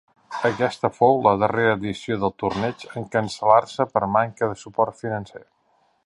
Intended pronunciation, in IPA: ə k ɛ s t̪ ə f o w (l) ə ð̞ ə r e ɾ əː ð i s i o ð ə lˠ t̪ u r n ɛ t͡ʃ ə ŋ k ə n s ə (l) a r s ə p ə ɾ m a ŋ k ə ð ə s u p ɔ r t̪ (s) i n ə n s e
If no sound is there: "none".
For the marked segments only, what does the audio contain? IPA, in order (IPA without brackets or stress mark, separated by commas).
l, l, f